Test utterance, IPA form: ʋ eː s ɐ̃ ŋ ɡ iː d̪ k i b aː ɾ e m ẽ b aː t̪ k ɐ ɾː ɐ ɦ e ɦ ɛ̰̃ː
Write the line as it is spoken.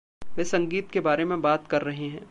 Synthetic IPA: ʋ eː s ɐ̃ ŋ ɡ iː t̪ k e b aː ɾ e m ẽ b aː t̪ k ɐ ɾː ɐ ɦ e ɦ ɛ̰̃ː